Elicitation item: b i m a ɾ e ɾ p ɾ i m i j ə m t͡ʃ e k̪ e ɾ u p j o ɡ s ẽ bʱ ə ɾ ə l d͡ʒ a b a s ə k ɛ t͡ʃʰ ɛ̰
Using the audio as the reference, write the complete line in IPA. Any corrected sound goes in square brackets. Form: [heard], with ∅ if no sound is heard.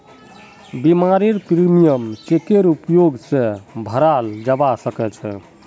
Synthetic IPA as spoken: b i m a ɾ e ɾ p ɾ i m i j ə m t͡ʃ e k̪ e ɾ u p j o ɡ s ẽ bʱ ə ɾ [a] l d͡ʒ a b a s ə k ɛ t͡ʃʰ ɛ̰